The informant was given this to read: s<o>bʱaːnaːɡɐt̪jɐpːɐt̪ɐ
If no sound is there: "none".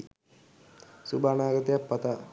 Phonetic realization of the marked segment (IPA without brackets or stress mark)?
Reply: u